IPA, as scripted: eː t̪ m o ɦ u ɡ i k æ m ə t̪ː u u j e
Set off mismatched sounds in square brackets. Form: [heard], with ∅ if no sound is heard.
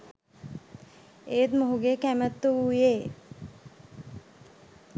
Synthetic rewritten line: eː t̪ m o ɦ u ɡ [e] k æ m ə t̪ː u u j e